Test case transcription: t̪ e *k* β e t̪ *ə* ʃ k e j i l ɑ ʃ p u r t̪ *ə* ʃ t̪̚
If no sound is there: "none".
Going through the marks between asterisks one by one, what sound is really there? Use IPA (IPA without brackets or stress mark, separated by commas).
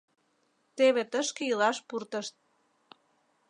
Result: none, ə, ə